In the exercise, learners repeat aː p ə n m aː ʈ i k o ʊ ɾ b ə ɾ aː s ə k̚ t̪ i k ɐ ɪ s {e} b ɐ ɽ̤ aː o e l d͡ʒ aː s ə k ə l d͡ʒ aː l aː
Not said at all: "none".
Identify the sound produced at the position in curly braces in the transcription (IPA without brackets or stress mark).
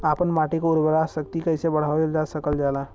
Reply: e